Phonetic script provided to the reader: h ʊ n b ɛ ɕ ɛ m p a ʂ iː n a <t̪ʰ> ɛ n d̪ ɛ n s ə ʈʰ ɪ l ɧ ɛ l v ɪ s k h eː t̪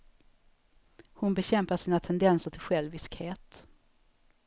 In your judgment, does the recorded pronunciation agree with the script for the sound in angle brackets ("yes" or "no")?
yes